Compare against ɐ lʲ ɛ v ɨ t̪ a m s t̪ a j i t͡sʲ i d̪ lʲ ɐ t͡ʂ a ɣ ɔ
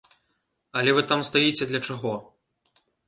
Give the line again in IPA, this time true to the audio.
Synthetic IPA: ɐ lʲ ɛ v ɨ t̪ a m s t̪ a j i t͡sʲ ɛ d̪ lʲ ɐ t͡ʂ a ɣ ɔ